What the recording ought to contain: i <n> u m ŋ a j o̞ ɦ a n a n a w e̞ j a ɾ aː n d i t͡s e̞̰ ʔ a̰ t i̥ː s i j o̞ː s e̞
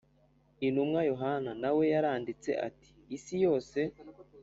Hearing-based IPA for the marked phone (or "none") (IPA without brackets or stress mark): n